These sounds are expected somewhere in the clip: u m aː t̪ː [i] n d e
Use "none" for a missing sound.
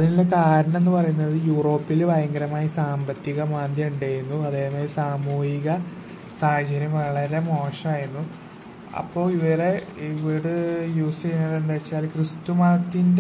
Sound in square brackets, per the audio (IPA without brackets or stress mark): i